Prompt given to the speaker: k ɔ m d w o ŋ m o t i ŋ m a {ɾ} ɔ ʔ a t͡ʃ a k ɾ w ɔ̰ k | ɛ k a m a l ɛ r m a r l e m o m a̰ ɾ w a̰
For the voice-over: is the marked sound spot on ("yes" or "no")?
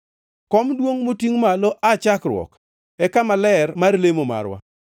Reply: no